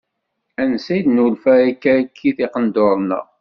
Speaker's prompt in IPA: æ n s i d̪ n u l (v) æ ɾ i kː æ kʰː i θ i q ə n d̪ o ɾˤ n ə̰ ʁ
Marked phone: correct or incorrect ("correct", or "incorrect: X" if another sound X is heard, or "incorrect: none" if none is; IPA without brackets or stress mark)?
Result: incorrect: f